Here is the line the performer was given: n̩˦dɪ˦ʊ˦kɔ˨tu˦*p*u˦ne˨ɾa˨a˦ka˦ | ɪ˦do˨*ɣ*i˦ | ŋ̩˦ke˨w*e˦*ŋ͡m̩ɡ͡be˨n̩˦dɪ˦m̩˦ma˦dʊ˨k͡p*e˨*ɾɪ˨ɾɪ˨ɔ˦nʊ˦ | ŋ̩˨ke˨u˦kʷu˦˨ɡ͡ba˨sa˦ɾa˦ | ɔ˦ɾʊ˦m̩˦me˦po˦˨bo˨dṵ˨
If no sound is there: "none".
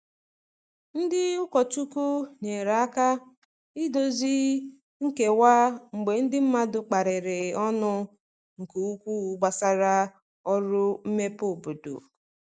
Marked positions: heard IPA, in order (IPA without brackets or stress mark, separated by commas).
k, z, a˦, a˨